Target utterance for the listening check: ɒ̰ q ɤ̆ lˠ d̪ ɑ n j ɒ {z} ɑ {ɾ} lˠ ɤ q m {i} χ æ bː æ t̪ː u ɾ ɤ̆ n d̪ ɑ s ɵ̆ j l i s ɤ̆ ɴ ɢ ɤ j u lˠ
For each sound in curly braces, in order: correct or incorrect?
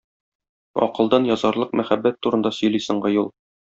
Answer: correct, correct, incorrect

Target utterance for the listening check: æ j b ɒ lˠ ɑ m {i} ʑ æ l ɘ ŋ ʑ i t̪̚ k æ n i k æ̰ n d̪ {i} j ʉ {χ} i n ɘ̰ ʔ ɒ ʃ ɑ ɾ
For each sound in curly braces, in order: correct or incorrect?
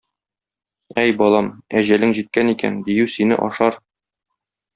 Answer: incorrect, correct, incorrect

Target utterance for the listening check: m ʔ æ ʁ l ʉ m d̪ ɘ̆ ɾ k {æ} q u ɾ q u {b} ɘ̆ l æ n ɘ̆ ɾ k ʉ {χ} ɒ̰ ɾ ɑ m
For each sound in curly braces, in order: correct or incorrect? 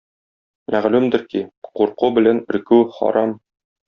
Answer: incorrect, correct, correct

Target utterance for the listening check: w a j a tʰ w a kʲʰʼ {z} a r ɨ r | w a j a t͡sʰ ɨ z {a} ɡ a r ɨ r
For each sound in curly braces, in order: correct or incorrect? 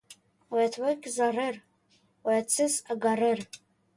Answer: correct, correct

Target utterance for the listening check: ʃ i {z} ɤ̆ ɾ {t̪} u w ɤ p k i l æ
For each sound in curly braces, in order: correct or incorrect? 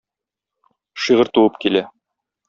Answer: incorrect, correct

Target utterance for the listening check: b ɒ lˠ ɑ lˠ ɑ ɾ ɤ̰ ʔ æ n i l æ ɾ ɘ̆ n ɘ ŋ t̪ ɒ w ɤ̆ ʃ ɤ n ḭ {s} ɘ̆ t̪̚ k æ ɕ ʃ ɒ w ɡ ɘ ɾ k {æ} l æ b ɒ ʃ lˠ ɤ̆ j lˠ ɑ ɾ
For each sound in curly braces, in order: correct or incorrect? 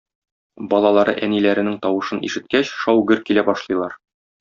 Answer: incorrect, incorrect

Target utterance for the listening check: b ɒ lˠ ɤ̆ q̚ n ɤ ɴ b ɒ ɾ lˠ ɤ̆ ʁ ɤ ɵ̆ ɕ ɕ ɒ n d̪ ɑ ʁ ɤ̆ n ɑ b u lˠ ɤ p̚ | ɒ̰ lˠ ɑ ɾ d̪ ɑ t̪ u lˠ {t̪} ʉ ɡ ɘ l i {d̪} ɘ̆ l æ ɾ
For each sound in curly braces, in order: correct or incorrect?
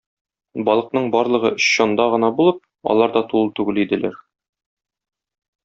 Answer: correct, correct

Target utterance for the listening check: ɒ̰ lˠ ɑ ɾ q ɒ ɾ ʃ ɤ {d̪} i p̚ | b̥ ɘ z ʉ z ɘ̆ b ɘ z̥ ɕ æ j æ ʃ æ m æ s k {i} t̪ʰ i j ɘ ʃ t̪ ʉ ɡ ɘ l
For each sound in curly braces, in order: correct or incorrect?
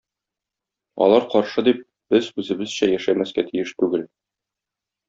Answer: correct, incorrect

